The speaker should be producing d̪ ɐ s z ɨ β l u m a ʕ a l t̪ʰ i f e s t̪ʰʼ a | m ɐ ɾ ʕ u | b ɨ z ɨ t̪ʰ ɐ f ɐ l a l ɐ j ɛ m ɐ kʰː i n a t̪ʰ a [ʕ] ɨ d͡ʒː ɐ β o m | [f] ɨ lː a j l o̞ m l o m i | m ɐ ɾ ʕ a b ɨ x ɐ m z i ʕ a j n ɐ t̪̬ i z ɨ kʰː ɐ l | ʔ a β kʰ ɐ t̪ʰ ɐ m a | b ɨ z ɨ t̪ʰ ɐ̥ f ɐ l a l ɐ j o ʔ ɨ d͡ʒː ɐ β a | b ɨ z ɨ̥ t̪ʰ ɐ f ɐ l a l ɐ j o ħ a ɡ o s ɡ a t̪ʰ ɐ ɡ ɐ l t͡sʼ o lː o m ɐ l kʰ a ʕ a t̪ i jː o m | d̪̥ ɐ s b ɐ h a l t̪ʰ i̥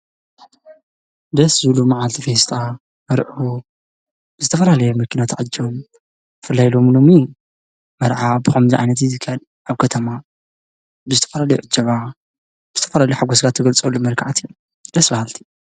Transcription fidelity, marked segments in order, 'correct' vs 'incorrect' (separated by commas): correct, correct